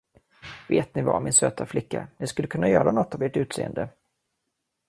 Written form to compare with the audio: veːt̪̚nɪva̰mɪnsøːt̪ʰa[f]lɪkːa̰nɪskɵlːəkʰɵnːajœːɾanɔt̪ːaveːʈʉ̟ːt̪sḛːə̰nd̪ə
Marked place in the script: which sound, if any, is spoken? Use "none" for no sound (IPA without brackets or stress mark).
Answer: f